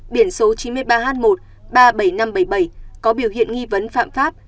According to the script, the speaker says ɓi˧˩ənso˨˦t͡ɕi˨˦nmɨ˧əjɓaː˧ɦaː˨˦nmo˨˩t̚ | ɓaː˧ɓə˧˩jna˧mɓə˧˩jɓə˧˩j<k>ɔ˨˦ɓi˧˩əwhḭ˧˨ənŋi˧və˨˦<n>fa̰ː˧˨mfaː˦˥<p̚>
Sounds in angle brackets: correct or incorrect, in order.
correct, correct, correct

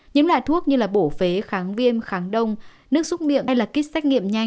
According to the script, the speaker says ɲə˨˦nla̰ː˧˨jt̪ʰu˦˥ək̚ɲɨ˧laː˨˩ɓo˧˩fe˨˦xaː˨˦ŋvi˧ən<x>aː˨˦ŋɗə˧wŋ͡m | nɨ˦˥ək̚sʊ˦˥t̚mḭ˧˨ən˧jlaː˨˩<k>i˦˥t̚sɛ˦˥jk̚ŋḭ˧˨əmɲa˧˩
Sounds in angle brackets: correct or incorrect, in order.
correct, correct

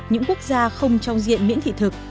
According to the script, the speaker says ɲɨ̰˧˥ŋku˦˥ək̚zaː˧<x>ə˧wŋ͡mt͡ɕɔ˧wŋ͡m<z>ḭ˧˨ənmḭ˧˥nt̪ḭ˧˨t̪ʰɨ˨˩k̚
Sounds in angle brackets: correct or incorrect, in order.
correct, correct

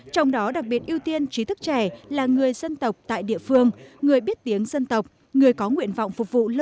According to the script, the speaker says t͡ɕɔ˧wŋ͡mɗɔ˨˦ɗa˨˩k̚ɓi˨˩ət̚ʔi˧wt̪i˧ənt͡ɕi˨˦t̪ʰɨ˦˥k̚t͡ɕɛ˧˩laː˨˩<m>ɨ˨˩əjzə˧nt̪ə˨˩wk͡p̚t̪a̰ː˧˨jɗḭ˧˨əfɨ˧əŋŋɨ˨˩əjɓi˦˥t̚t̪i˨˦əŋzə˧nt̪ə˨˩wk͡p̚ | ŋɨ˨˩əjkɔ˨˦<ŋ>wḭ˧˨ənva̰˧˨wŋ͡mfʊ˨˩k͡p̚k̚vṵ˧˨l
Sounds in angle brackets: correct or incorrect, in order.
incorrect: ŋ, correct

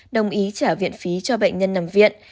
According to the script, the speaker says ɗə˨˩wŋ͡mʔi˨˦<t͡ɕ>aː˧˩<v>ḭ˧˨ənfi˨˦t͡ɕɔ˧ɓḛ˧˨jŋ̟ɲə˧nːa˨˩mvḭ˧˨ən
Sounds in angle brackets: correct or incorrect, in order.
correct, correct

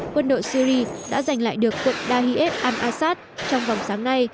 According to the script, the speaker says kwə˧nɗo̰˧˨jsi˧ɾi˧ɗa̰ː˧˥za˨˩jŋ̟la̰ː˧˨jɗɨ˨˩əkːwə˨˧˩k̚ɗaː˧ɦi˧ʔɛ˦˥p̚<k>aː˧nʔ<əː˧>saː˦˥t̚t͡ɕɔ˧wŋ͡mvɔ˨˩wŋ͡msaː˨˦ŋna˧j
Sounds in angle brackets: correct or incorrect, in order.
incorrect: ʔ, incorrect: aː˧

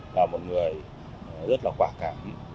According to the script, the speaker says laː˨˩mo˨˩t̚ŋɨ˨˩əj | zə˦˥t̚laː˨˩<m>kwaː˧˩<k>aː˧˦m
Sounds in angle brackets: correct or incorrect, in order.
incorrect: none, correct

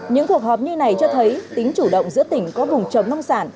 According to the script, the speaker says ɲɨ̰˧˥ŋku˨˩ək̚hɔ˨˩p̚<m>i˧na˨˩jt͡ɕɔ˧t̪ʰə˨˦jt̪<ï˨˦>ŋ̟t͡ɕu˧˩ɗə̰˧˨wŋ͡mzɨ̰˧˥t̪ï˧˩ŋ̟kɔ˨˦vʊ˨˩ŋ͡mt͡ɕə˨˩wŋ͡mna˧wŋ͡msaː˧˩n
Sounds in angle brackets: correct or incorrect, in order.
incorrect: ɲ, correct

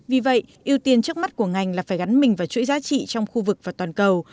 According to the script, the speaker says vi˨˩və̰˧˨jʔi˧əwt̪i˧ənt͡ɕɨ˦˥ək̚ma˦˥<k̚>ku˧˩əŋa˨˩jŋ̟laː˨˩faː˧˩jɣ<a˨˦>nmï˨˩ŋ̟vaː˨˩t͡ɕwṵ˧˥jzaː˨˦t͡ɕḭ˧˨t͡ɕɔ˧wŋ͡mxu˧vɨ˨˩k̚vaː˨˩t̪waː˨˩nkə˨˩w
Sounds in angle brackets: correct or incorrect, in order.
incorrect: t̚, correct

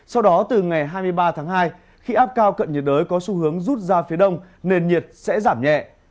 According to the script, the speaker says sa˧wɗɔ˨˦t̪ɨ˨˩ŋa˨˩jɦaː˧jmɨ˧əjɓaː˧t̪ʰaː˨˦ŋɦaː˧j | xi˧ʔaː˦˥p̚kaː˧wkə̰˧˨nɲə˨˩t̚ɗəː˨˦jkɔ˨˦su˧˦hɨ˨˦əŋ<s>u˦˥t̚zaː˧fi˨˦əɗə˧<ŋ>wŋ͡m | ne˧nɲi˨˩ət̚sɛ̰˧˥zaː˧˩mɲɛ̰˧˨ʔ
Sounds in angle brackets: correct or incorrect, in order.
incorrect: z, incorrect: none

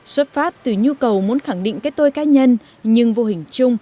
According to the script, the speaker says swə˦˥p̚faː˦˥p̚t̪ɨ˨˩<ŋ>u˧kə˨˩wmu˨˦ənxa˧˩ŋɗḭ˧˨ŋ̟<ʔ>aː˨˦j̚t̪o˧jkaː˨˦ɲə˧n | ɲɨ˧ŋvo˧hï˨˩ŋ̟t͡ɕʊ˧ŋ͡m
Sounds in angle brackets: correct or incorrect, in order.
incorrect: ɲ, incorrect: k

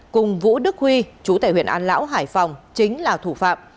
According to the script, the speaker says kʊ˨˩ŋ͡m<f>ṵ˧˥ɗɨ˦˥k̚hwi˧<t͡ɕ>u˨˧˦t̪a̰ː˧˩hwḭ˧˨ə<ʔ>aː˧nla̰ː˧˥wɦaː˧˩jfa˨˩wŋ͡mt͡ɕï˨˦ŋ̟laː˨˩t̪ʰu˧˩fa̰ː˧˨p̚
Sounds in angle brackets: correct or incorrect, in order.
incorrect: v, correct, correct

